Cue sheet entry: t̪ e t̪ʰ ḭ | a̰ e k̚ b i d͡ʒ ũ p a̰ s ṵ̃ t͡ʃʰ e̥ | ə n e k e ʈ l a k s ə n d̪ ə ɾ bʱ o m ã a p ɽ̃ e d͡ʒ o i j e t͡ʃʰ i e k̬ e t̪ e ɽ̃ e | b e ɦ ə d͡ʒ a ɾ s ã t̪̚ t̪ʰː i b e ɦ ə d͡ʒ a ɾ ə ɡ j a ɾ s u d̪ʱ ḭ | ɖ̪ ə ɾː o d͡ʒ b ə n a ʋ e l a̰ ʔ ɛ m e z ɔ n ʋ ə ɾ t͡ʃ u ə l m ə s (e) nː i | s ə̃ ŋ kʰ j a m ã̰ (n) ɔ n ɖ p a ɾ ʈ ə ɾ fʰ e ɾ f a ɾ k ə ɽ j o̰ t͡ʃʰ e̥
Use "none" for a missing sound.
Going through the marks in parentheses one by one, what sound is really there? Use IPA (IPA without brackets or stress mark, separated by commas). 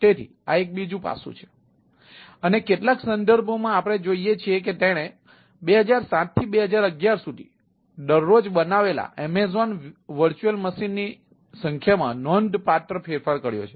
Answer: i, n